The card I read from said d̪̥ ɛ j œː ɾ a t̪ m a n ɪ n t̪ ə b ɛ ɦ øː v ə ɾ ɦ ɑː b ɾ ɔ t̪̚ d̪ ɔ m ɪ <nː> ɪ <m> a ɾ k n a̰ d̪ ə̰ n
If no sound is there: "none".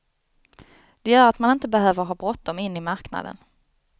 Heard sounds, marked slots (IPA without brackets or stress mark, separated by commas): nː, m